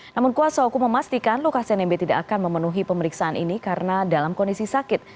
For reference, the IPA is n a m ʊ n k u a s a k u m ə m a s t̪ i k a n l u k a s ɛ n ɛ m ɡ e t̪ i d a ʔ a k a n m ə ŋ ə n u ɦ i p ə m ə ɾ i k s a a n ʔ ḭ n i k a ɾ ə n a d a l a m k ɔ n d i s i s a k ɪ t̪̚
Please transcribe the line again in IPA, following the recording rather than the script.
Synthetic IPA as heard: n a m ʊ n k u a s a k u m ə m a s t̪ i k a n l u k a s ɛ n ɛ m b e t̪ i d a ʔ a k a n m ə m ə n u ɦ i p ə m ə ɾ i k s a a n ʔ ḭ n i k a ɾ ə n a d a l a m k ɔ n d i s i s a k ɪ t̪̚